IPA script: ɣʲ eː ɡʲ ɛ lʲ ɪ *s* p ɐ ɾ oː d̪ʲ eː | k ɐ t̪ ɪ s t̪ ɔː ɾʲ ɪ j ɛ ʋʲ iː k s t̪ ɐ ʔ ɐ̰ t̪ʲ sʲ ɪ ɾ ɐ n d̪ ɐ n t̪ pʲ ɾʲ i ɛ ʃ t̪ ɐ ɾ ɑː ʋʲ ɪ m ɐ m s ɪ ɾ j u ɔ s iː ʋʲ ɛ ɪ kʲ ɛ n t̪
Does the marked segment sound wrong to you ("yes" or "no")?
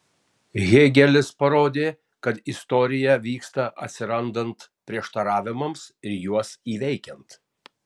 no